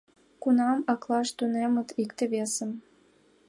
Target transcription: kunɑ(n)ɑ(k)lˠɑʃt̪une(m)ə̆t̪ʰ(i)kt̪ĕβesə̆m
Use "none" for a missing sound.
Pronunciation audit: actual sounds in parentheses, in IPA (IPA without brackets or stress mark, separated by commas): m, k, m, i